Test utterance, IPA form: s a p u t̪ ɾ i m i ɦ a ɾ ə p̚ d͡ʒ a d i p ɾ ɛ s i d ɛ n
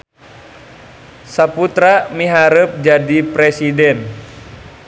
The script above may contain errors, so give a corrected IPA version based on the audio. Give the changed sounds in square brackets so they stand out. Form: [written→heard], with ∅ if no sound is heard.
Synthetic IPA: s a p u t̪ ɾ [i→a] m i ɦ a ɾ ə p̚ d͡ʒ a d i p ɾ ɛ s i d ɛ n